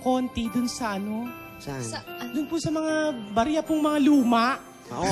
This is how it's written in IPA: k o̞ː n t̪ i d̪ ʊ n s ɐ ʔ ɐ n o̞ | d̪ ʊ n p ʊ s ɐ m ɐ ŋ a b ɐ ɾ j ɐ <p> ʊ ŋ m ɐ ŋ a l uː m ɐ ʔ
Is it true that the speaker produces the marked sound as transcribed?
yes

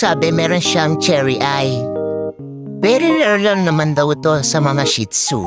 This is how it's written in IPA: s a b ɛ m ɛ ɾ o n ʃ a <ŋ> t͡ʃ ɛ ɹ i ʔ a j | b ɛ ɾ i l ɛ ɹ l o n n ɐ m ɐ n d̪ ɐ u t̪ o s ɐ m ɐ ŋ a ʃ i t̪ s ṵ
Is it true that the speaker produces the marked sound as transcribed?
yes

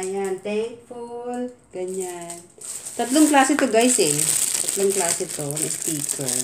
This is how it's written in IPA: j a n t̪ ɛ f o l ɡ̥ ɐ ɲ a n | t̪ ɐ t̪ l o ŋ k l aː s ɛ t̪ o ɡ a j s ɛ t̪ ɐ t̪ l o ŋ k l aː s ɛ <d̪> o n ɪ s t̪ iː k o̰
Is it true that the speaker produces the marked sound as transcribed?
no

